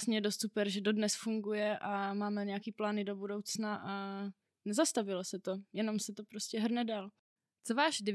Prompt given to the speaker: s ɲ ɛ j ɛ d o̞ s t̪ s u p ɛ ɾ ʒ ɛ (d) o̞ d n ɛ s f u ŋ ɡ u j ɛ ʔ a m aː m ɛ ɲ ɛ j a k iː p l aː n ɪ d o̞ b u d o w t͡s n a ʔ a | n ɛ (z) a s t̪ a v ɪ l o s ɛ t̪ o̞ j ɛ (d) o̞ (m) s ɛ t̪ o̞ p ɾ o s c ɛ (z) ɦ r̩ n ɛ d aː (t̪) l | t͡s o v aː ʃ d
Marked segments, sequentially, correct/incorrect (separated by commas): correct, correct, incorrect, correct, incorrect, incorrect